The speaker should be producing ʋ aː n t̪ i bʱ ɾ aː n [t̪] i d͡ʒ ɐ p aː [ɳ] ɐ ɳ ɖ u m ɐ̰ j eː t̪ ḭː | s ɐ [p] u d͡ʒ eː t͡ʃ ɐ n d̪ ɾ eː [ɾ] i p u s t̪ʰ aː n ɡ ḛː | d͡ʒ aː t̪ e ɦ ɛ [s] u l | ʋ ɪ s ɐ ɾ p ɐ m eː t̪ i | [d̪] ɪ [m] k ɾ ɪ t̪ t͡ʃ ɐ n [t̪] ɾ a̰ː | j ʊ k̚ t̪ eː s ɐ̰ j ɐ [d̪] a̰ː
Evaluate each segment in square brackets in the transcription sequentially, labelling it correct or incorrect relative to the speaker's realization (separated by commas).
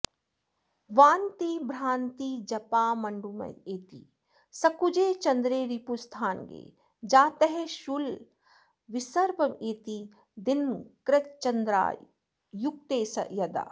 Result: correct, incorrect, incorrect, correct, incorrect, correct, incorrect, incorrect, correct